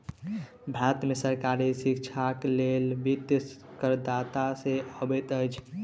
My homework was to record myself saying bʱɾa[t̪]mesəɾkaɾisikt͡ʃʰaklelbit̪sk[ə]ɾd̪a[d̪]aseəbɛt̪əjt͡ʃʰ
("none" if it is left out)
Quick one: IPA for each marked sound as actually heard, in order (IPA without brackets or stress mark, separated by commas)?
t̪, ə, t̪